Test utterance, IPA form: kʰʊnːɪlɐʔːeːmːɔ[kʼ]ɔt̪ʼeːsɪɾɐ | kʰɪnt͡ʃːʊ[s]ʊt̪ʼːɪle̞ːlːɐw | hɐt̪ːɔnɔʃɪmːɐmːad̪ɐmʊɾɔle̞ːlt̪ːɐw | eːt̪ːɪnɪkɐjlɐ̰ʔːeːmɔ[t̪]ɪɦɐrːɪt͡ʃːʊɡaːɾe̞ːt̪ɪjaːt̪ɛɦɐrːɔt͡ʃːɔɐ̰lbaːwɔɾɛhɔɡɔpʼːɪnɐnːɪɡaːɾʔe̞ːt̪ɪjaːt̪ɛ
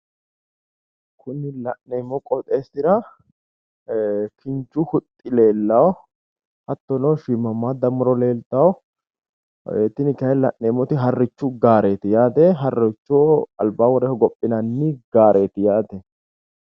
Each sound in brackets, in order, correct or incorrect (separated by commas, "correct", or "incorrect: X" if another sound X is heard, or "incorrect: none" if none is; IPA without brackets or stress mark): correct, incorrect: h, correct